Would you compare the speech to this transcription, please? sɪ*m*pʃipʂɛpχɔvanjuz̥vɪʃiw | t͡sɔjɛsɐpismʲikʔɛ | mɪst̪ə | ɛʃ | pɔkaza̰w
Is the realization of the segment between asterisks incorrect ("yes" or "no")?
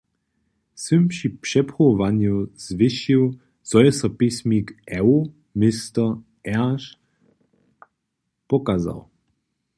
no